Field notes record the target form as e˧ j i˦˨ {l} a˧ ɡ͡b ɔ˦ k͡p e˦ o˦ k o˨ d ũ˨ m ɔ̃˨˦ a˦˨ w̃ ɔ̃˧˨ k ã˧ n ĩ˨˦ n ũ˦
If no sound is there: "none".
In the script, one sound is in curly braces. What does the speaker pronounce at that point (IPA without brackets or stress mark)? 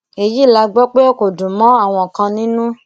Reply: l